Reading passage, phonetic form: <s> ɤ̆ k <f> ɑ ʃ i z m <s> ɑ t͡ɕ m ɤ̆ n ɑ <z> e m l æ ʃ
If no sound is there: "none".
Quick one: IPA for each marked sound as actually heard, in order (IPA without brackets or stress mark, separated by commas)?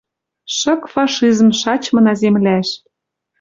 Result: ʃ, f, ʃ, z